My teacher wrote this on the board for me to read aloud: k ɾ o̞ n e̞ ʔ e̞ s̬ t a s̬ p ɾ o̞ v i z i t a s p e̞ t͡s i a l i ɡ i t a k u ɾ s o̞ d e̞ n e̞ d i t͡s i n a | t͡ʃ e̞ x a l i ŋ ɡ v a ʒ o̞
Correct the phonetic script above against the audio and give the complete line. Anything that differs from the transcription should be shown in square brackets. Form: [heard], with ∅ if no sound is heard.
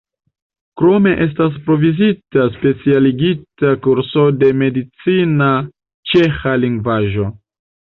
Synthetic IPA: k ɾ o̞ [m] e̞ ʔ e̞ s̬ t a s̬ p ɾ o̞ v i z i t a s p e̞ t͡s i a l i ɡ i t a k u ɾ s o̞ d e̞ [m] e̞ d i t͡s i n a | t͡ʃ e̞ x a l i ŋ ɡ v a ʒ o̞